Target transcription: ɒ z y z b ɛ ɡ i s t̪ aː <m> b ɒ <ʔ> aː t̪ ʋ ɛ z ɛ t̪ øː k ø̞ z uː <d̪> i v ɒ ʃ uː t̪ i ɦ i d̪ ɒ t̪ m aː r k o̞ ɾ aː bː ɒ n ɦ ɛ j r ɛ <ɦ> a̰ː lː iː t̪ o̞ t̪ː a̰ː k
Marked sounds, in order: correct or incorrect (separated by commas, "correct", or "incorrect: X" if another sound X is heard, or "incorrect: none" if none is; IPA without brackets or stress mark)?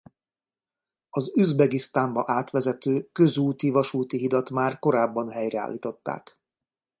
correct, correct, incorrect: t̪, incorrect: none